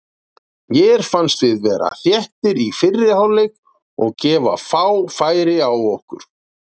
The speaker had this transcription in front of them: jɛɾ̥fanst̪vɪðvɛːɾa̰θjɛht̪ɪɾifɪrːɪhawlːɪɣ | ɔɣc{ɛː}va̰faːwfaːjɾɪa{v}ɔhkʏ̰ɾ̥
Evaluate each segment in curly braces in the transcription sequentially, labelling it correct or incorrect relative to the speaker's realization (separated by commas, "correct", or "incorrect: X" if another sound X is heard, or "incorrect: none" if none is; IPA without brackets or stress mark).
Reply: correct, incorrect: w